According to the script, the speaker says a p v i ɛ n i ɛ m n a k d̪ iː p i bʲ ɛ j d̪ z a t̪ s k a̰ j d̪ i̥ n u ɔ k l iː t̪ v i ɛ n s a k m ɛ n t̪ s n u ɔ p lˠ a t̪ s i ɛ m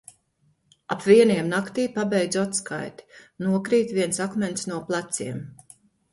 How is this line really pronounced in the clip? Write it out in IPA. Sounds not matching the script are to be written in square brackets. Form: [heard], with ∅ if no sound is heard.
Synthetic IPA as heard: a p v i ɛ n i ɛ m n a k [t̪] iː p [a] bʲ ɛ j d̪ z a t̪ s k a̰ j [t̪] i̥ n u ɔ k [ɾ] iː t̪ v i ɛ n s a k m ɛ n t̪ s n u ɔ p lˠ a t̪ s i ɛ m